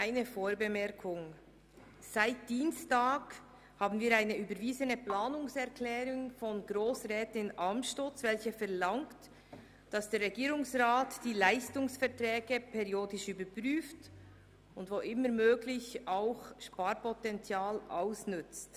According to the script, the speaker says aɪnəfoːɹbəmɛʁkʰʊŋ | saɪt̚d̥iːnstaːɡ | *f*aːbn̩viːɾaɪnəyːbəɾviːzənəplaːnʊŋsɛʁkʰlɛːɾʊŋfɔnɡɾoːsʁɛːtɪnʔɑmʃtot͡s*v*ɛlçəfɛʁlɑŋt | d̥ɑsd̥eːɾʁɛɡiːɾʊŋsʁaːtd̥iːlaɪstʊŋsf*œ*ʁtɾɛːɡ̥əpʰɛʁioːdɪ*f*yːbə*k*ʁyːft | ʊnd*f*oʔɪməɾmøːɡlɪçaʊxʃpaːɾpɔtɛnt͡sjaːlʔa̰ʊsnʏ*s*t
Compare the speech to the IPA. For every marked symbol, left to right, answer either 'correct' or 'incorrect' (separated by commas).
incorrect, correct, incorrect, incorrect, incorrect, incorrect, incorrect